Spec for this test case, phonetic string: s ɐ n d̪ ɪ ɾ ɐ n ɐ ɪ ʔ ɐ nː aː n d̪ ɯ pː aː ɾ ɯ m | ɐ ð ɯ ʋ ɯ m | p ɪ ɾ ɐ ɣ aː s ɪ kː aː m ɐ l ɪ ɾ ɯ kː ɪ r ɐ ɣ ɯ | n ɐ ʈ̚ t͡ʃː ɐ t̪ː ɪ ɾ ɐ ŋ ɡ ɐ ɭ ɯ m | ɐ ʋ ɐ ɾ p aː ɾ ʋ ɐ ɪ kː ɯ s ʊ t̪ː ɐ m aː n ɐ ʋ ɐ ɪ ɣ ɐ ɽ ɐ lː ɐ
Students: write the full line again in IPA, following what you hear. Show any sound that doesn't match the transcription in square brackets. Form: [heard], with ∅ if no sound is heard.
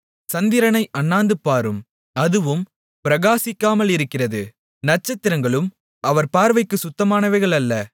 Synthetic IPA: s ɐ n d̪ ɪ ɾ ɐ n ɐ ɪ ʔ ɐ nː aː n d̪ ɯ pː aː ɾ ɯ m | ɐ ð ɯ ʋ ɯ m | p ɪ ɾ ɐ ɣ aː s ɪ kː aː m ɐ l ɪ ɾ ɯ kː ɪ r ɐ [ð] ɯ | n ɐ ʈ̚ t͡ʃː ɐ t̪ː ɪ ɾ ɐ ŋ ɡ ɐ ɭ ɯ m | ɐ ʋ ɐ ɾ p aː ɾ ʋ ɐ ɪ kː ɯ s ʊ t̪ː ɐ m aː n ɐ ʋ ɐ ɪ ɣ ɐ [ɭ] ɐ lː ɐ